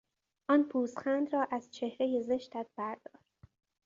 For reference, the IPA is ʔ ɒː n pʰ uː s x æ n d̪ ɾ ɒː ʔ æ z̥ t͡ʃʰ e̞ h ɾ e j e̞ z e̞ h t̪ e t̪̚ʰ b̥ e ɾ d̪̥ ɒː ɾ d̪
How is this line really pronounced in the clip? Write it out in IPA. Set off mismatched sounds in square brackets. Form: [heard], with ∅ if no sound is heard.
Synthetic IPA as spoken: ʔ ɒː n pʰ uː s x æ n d̪ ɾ ɒː ʔ æ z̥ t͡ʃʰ e̞ h ɾ e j e̞ z e̞ [ʃ] t̪ [æ] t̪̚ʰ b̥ [æ] ɾ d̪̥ ɒː ɾ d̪